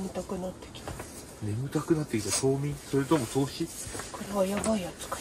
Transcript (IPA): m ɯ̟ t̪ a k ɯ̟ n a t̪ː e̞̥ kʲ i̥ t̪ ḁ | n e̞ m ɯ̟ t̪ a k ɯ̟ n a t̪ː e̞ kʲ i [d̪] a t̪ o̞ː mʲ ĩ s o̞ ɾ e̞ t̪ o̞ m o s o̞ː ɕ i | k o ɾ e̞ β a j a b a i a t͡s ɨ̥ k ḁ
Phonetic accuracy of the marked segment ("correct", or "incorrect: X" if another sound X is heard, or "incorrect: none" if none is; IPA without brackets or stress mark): incorrect: t̪